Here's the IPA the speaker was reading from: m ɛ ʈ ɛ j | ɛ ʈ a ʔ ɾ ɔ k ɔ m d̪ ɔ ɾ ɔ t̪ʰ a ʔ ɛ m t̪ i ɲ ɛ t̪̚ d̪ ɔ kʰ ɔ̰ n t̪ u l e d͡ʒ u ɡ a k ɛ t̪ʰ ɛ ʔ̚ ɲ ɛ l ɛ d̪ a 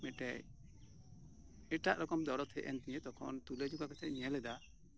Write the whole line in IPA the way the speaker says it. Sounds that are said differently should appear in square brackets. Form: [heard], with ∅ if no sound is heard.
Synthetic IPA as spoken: m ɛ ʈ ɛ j | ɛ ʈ a ʔ ɾ ɔ k ɔ m d̪ ɔ ɾ ɔ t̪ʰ [ɛ] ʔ ɛ [n] t̪ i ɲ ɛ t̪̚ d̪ ɔ kʰ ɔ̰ n t̪ u l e d͡ʒ u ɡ a k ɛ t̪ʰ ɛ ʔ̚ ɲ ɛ l ɛ d̪ a